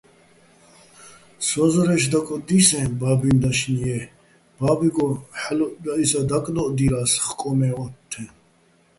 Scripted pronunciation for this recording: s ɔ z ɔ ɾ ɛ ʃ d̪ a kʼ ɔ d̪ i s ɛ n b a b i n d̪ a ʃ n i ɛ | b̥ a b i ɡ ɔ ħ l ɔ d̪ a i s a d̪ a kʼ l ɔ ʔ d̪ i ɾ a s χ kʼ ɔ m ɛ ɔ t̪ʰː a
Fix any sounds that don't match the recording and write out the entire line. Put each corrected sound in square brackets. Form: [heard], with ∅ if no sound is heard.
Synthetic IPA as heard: s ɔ z ɔ ɾ ɛ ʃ d̪ a kʼ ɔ d̪ i s ɛ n b a b i n d̪ a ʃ n i ɛ | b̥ a b i ɡ ɔ ħ l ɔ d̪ a i s a d̪ a kʼ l ɔ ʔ d̪ i ɾ a s χ kʼ ɔ m ɛ ɔ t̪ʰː [ɛ]